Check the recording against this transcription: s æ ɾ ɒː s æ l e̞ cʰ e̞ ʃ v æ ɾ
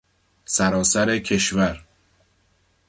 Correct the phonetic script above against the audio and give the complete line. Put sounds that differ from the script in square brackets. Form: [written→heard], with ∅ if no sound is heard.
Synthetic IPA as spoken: s æ ɾ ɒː s æ [l→ɾ] e̞ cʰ e̞ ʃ v æ ɾ